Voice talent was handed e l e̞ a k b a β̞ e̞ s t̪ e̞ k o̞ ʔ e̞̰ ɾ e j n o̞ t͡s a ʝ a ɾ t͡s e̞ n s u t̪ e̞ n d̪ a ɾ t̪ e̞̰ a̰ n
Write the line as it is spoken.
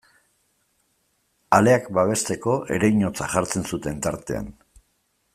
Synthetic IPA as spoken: a l e̞ a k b a β̞ e̞ s t̪ e̞ k o̞ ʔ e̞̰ ɾ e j ɲ o̞ t͡s a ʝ a ɾ t͡s e̞ n s u t̪ e̞ n t̪ a ɾ t̪ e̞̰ a̰ n